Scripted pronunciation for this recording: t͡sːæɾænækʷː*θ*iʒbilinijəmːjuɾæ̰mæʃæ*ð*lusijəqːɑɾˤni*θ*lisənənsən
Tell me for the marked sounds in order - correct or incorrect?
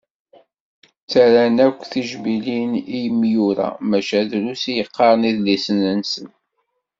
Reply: correct, correct, incorrect

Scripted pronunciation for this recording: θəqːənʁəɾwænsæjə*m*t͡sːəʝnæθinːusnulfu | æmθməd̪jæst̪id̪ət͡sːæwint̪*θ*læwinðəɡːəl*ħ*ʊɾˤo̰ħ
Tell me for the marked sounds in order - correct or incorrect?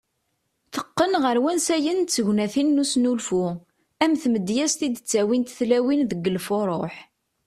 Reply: incorrect, correct, incorrect

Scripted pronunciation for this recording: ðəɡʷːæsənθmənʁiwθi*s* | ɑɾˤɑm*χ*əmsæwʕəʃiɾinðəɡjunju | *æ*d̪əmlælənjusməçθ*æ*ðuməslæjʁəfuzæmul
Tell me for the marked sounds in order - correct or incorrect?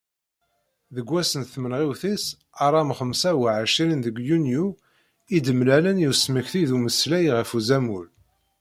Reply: correct, correct, incorrect, incorrect

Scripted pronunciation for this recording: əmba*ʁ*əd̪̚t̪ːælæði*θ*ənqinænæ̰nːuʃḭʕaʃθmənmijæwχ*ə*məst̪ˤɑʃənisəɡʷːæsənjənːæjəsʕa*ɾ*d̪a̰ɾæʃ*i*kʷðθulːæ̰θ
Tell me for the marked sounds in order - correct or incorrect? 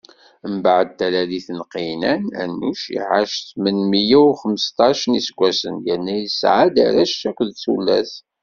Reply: incorrect, correct, correct, incorrect, incorrect

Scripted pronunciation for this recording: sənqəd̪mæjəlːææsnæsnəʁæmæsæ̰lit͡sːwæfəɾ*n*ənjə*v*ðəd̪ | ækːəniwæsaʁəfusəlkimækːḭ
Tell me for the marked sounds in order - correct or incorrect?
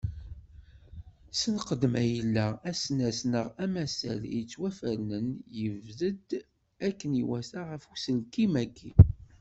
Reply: correct, correct

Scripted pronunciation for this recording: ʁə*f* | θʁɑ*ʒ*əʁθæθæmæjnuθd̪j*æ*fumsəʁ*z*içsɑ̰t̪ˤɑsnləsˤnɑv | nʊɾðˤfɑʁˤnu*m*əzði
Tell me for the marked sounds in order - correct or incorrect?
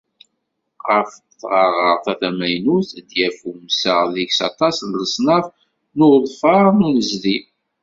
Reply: correct, incorrect, correct, incorrect, incorrect

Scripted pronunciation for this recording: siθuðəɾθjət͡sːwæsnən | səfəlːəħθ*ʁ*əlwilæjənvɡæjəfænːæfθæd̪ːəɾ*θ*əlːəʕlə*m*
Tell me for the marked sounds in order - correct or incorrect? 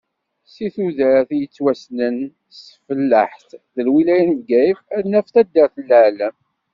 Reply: incorrect, correct, correct

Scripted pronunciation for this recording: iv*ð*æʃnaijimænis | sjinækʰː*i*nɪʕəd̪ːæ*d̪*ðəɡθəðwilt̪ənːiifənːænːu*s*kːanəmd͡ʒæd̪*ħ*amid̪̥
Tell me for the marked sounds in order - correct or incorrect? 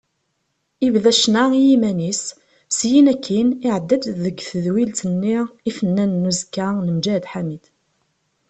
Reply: correct, correct, correct, incorrect, correct

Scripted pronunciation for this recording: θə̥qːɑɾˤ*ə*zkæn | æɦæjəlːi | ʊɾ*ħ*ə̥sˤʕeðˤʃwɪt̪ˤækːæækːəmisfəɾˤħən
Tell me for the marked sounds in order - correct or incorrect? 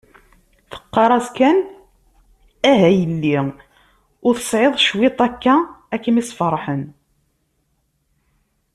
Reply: incorrect, incorrect

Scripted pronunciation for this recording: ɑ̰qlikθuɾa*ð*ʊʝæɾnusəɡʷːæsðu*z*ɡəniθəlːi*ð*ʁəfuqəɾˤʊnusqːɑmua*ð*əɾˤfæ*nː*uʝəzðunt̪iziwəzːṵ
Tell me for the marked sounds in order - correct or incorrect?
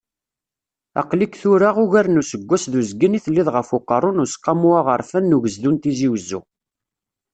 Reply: incorrect, correct, correct, incorrect, correct

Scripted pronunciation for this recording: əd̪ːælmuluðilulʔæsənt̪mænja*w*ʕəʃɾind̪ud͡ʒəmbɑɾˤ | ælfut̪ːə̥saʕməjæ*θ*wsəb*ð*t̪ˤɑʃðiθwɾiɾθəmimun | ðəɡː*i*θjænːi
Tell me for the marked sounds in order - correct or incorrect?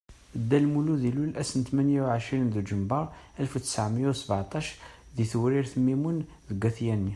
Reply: correct, incorrect, incorrect, incorrect

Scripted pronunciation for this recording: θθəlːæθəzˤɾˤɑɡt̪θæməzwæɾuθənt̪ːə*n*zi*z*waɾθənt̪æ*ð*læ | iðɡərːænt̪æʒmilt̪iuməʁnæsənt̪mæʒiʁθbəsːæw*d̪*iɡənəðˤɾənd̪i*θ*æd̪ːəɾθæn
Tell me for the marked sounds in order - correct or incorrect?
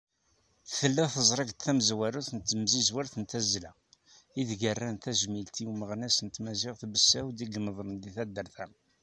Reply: incorrect, correct, incorrect, correct, correct

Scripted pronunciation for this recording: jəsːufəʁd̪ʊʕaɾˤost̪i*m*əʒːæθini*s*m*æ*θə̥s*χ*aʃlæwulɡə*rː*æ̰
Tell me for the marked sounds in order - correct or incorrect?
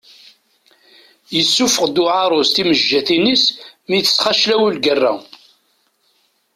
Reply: correct, correct, incorrect, correct, correct

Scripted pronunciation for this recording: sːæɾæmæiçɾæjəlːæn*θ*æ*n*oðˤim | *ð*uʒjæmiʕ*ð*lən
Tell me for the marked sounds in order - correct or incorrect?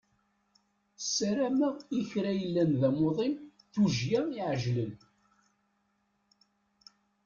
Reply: incorrect, incorrect, incorrect, incorrect

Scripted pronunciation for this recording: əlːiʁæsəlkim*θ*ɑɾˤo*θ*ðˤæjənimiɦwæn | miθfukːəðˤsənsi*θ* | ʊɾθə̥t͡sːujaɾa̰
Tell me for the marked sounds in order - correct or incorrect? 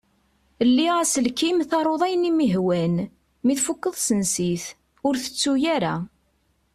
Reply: correct, incorrect, correct

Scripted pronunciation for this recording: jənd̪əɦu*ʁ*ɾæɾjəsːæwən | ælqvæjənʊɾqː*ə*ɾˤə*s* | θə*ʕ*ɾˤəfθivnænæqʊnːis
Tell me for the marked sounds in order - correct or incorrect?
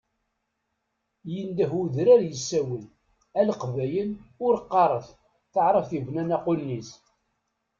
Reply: incorrect, incorrect, incorrect, correct

